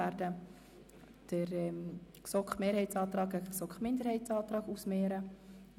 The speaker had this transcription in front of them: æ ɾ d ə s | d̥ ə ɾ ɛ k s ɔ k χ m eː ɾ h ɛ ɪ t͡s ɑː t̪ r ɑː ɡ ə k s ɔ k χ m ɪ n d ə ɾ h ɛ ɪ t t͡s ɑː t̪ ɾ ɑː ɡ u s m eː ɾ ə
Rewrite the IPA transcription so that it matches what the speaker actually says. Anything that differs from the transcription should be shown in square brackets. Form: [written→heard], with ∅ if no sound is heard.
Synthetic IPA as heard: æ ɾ d ə [s→∅] | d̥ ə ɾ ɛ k s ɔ k χ m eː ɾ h ɛ ɪ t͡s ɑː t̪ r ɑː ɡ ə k s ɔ k χ m ɪ n d ə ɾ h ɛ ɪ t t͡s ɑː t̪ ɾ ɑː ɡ u s m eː ɾ ə